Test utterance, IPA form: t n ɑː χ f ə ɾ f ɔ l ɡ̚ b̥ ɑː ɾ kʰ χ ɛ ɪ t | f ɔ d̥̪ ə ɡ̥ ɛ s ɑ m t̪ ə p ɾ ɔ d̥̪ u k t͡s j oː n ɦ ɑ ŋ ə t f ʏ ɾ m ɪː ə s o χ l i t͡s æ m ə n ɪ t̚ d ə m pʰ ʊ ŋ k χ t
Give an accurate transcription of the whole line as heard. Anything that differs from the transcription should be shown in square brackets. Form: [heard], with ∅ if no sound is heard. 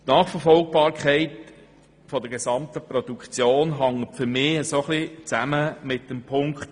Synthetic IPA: t n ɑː χ f ə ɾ f ɔ l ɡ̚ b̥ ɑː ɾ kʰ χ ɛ ɪ t | f ɔ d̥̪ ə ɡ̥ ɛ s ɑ m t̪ ə p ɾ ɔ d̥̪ u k t͡s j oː n ɦ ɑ ŋ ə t f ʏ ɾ m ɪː ə s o χ l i t͡s æ m ə [m] ɪ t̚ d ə m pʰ ʊ ŋ k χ t

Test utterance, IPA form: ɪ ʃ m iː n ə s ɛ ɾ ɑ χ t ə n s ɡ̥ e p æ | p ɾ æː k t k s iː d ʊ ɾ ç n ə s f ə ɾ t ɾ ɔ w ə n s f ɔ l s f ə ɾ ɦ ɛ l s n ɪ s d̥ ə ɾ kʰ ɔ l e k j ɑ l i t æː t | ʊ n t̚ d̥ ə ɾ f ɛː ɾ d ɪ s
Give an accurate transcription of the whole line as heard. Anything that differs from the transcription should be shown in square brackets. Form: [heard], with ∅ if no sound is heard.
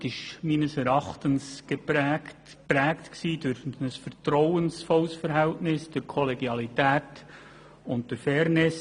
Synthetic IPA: ɪ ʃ m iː n ə s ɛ ɾ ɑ χ t ə n s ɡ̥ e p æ | p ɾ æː k t k s iː d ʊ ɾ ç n ə s f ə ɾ t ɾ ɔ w ə n s f ɔ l s f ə ɾ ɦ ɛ l [t] n ɪ s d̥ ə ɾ kʰ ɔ l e [ɡ] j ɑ l i t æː t | ʊ n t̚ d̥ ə ɾ f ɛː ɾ [n] ɪ s

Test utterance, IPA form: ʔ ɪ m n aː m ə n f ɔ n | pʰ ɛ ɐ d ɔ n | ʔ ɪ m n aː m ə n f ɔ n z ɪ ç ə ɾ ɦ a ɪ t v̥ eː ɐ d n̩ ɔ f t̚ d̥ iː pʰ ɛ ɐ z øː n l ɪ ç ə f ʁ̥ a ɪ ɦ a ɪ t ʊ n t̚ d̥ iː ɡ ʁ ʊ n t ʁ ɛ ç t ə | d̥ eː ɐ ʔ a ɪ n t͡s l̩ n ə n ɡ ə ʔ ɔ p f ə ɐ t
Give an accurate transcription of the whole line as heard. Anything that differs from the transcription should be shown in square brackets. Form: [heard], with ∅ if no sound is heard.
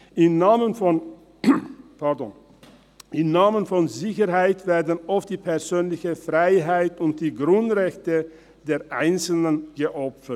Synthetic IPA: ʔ ɪ m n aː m ə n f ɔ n | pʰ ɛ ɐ d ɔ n | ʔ ɪ m n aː m ə n f ɔ n z ɪ ç ə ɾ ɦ a ɪ t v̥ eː ɐ d n̩ ɔ f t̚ d̥ iː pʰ ɛ ɐ z øː n l ɪ ç ə f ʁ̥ a ɪ ɦ a ɪ t ʊ n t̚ d̥ iː ɡ ʁ ʊ n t ʁ ɛ ç t ə | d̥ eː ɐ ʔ a ɪ n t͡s l̩ n ə n ɡ ə ʔ ɔ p f ə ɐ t

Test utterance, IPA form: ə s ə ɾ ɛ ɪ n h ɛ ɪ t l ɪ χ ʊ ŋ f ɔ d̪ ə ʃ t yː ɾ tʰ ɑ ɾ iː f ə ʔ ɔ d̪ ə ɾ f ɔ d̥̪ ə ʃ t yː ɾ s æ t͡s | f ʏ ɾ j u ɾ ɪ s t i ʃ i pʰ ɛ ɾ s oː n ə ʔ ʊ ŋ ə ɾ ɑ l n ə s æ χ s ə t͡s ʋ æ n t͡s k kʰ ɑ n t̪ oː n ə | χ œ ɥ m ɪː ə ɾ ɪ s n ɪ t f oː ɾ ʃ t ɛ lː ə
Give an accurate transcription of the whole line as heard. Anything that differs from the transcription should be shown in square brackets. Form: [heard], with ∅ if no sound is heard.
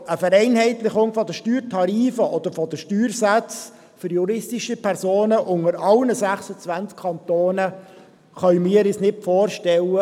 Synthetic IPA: ə [f] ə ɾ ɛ ɪ n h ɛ ɪ t l ɪ χ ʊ ŋ f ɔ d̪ ə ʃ t yː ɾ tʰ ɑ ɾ iː f ə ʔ ɔ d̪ ə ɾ f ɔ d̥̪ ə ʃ t yː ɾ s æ t͡s | f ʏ ɾ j u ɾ ɪ s t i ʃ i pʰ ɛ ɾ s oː n ə ʔ ʊ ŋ ə ɾ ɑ l n ə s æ χ s ə t͡s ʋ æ n t͡s k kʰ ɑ n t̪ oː n ə | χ œ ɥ m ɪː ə ɾ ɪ s n ɪ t f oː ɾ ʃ t ɛ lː ə

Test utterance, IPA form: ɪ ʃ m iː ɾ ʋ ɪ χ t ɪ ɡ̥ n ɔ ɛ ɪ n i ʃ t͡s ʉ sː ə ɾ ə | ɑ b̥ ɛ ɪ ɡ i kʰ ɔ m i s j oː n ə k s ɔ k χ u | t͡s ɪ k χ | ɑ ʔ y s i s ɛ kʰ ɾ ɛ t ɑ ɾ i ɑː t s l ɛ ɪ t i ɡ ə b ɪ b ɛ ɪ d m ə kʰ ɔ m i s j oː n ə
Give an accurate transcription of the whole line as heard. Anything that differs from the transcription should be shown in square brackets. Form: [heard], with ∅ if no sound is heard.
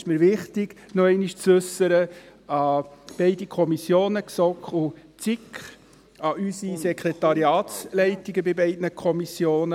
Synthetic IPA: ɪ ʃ m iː ɾ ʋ ɪ χ t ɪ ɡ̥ n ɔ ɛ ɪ n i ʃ t͡s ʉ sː ə ɾ ə | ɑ b̥ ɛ ɪ [d] i kʰ ɔ m i s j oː n ə k s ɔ k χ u | t͡s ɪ k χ | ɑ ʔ y s i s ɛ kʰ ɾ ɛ t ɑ ɾ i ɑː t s l ɛ ɪ t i ɡ ə b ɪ b ɛ ɪ d [n] ə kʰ ɔ m i s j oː n ə

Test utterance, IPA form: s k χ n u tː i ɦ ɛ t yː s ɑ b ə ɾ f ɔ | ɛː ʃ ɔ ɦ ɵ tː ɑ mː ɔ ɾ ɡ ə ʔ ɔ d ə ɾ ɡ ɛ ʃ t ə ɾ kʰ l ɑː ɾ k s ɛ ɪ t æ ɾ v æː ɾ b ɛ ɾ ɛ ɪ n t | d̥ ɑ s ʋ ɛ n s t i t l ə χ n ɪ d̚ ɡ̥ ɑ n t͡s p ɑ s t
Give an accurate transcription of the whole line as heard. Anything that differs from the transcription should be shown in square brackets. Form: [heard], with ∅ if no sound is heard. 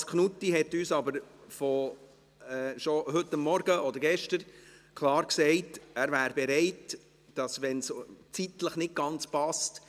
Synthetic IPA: s k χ n u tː i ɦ ɛ t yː s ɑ b ə ɾ f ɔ | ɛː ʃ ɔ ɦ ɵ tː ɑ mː ɔ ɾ ɡ ə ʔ ɔ d ə ɾ ɡ ɛ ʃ t ə ɾ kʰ l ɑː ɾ k s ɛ ɪ t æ ɾ v æː ɾ b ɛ ɾ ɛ ɪ [∅] t | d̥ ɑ s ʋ ɛ n s [t͡s] i t l ə χ n ɪ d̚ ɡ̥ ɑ n t͡s p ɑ s t

